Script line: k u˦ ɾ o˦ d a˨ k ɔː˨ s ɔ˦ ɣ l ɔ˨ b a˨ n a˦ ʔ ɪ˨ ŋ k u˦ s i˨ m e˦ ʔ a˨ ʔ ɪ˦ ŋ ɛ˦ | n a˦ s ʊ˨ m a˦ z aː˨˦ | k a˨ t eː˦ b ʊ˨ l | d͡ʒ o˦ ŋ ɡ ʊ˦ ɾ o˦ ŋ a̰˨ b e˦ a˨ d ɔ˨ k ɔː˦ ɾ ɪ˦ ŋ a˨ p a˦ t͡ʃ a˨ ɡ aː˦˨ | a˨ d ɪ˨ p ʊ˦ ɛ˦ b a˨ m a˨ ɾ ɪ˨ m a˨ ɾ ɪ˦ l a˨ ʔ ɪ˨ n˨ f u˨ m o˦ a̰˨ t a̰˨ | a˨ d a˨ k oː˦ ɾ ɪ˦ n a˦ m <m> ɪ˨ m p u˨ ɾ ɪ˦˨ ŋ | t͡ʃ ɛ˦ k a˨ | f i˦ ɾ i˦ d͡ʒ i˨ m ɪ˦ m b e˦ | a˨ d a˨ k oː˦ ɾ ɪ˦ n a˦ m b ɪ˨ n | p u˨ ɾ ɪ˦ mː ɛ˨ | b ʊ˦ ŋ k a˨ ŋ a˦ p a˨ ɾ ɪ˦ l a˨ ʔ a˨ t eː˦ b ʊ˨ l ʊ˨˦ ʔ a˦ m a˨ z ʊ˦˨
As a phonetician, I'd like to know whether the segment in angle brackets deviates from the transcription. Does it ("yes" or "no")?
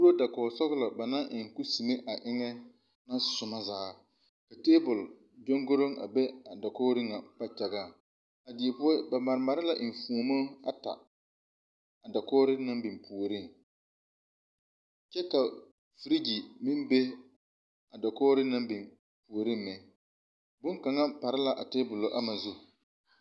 yes